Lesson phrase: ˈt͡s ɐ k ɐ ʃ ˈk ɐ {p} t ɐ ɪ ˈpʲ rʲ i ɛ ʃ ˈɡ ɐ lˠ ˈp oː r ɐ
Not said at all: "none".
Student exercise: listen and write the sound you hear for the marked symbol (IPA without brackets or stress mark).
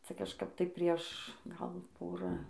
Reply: p